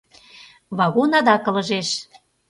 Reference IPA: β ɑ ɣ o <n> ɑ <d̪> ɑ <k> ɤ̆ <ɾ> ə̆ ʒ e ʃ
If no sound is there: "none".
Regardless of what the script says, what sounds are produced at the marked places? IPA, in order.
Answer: n, d̪, k, l

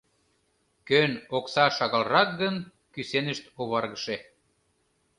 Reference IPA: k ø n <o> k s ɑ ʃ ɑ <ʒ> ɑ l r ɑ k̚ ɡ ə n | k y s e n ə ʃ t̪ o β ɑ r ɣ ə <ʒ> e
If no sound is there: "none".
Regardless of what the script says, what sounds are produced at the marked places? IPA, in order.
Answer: o, ɣ, ʃ

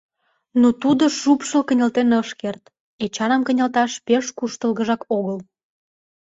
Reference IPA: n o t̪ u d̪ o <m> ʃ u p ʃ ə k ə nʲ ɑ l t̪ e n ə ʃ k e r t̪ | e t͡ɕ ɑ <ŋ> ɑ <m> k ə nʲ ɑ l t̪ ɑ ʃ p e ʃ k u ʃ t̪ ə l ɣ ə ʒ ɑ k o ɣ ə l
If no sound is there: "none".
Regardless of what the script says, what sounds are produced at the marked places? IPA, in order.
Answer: none, n, m

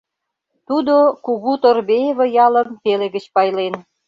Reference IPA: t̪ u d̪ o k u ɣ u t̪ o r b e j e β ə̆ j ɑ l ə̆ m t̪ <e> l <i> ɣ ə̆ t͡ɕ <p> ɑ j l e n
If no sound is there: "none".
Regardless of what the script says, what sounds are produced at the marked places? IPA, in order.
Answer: e, e, p

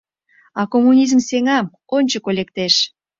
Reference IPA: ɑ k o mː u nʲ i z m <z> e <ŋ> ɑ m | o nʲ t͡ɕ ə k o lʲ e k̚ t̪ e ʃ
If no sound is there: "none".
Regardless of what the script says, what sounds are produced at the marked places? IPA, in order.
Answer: s, ŋ

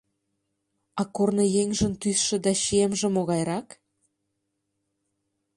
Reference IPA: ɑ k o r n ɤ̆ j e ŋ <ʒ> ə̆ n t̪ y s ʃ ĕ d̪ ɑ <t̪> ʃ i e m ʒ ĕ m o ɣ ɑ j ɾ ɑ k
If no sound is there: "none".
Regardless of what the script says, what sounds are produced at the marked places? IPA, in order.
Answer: ʒ, none

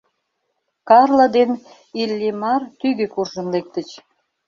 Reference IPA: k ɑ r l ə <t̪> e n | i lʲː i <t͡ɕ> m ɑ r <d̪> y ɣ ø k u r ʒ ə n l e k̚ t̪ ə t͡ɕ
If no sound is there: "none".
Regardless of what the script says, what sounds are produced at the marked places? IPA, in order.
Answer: d̪, none, t̪

